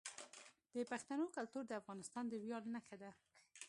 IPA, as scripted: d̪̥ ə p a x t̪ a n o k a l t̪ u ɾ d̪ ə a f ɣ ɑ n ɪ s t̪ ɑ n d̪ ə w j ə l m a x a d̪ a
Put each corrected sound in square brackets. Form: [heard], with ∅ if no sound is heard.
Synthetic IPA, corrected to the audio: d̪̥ ə p a x t̪ a n o k a l t̪ u ɾ d̪ ə a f ɣ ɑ n ɪ s t̪ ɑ n d̪ ə w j [ɑ] l [n] a x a d̪ a